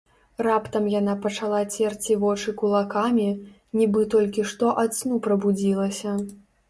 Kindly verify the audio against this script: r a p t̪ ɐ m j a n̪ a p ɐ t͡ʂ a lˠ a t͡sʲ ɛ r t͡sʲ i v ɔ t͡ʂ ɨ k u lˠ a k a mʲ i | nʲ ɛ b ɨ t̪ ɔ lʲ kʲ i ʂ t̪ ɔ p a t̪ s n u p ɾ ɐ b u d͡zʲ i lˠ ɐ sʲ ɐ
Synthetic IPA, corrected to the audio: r a p t̪ ɐ m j a n̪ a p ɐ t͡ʂ a lˠ a t͡sʲ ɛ r t͡sʲ i v ɔ t͡ʂ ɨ k u lˠ a k a mʲ i | nʲ i b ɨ t̪ ɔ lʲ kʲ i ʂ t̪ ɔ ʔ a t̪ s n u p ɾ ɐ b u d͡zʲ i lˠ ɐ sʲ ɐ